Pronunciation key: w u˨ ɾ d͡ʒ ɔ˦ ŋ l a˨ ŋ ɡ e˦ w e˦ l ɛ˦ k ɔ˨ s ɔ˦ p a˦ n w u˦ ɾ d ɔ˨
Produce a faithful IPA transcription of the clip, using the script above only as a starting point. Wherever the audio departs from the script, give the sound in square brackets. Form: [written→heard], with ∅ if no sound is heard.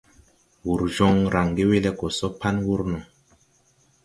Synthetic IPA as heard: w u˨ ɾ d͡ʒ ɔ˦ ŋ [l→ɾ] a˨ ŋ ɡ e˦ w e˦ l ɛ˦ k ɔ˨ s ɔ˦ p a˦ n w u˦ ɾ [d→n] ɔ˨